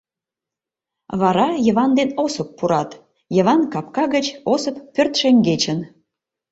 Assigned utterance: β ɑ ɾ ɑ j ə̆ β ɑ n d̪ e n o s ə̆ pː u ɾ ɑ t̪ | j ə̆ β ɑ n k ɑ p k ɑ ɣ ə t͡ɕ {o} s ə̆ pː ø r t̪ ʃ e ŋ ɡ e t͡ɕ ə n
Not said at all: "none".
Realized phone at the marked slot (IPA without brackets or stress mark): o